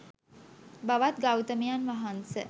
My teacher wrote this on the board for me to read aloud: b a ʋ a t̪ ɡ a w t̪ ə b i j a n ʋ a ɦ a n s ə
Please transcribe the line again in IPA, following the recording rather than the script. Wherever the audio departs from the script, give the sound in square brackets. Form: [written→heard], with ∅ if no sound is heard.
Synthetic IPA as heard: b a ʋ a t̪ ɡ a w t̪ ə [b→m] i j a n ʋ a ɦ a n s ə